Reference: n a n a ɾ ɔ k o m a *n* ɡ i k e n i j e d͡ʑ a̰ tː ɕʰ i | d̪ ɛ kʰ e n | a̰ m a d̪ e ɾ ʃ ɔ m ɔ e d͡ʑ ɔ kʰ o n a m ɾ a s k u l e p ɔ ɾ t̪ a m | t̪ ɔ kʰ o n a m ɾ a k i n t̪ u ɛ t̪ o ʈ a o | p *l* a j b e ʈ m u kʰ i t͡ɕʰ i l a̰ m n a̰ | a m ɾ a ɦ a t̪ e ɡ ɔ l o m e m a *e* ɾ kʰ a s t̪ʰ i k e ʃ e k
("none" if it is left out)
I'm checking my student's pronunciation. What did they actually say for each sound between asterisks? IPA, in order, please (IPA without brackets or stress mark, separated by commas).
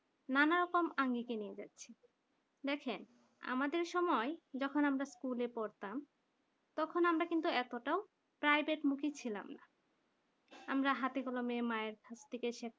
ŋ, ɾ, e